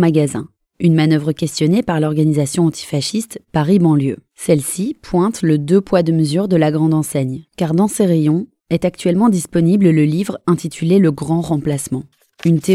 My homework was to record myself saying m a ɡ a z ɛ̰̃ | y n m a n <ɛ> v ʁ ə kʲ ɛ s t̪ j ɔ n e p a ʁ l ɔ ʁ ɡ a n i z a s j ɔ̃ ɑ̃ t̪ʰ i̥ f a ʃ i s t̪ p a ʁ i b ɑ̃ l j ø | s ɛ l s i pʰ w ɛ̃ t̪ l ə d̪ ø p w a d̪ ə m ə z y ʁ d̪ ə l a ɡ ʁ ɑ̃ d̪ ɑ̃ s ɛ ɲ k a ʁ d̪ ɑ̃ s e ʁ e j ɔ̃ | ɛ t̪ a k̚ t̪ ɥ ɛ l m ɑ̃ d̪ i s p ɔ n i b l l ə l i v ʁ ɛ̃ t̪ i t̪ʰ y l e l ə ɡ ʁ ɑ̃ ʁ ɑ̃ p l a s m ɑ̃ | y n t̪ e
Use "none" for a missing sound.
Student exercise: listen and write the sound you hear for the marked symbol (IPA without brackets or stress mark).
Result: œ